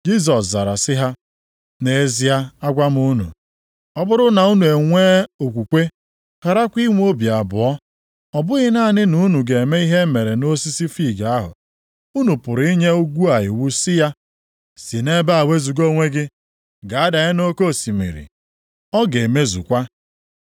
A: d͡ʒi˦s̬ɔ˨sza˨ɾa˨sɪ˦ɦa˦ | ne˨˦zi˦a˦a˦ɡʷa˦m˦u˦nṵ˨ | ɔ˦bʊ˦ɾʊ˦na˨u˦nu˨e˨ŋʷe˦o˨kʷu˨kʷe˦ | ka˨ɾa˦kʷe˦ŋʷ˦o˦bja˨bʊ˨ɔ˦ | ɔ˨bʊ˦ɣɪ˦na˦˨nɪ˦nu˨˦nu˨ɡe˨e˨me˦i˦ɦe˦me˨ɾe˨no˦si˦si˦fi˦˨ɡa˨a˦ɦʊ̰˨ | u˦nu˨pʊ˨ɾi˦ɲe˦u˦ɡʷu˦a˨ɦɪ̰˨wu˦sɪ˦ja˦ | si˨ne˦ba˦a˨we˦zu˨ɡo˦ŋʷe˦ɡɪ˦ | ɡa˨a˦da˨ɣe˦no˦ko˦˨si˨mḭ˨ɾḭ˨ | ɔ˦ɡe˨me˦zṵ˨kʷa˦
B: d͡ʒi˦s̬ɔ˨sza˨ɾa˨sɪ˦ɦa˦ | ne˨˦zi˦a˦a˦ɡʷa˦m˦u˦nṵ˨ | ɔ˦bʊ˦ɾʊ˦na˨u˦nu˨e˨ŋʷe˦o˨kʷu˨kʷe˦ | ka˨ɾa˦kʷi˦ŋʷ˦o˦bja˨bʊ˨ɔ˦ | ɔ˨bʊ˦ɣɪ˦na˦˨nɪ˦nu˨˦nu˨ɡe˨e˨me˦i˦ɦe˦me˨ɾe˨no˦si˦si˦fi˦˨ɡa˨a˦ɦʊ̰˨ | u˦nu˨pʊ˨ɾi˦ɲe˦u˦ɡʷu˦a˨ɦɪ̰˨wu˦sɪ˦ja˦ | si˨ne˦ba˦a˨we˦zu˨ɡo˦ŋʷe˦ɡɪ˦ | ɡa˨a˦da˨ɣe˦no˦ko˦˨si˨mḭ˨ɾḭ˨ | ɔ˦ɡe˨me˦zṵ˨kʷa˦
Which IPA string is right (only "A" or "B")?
B